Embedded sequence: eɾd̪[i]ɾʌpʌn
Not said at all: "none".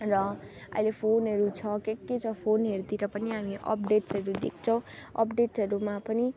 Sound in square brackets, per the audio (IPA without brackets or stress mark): i